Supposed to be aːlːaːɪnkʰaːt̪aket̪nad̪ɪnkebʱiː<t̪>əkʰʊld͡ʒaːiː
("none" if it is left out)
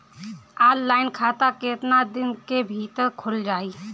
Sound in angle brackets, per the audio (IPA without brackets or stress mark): t̪